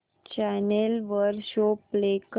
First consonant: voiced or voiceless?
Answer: voiceless